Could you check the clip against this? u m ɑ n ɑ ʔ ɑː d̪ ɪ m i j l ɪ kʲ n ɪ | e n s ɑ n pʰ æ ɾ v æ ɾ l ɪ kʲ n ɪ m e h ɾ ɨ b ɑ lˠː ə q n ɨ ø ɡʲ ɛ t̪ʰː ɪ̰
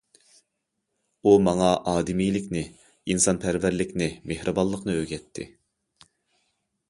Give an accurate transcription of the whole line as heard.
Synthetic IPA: u m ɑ ŋ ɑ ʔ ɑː d̪ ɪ m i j l ɪ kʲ n ɪ | i n s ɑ n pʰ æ ɾ v æ ɾ l ɪ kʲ n ɪ m e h ɾ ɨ b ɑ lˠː ə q n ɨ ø ɡʲ ɛ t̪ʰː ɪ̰